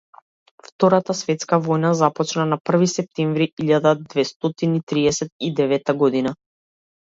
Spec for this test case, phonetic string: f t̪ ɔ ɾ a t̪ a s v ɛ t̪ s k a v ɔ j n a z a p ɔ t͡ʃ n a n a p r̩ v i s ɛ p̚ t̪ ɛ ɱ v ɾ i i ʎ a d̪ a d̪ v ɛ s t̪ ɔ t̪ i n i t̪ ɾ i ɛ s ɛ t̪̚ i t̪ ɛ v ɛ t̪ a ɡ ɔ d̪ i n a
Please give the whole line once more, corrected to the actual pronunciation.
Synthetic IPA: f t̪ ɔ ɾ a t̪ a s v ɛ t̪ s k a v ɔ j n a z a p ɔ t͡ʃ n a n a p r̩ v i s ɛ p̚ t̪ ɛ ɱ v ɾ i i ʎ a d̪ a d̪ v ɛ s t̪ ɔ t̪ i n i t̪ ɾ i ɛ s ɛ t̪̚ i d̪ ɛ v ɛ t̪ a ɡ ɔ d̪ i n a